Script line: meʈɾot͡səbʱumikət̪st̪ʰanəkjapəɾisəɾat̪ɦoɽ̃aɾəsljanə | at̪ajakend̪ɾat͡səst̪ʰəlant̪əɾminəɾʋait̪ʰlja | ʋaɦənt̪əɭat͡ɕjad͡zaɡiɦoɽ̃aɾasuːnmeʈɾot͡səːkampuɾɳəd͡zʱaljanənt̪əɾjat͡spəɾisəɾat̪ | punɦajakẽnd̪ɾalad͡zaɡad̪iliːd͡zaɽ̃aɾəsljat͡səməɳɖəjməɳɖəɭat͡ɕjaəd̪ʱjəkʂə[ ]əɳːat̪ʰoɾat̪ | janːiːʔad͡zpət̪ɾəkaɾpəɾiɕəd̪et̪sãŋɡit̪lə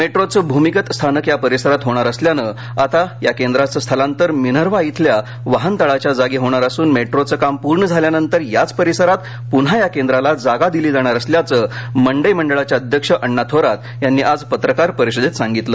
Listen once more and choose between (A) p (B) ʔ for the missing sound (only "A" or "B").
B